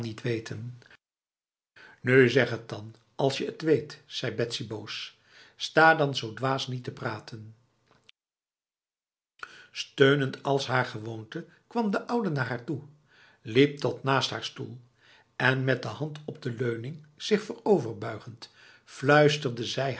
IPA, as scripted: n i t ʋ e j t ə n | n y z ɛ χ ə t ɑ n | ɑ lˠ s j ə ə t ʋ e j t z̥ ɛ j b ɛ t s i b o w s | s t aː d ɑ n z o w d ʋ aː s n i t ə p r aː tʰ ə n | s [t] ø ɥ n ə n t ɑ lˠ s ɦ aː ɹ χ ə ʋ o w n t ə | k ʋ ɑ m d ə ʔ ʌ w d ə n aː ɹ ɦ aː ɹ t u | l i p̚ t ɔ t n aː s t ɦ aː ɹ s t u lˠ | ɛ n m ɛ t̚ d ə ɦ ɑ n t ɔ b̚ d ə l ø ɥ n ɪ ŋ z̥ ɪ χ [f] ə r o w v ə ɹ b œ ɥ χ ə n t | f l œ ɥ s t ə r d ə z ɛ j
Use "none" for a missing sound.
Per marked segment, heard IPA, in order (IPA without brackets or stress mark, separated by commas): t, f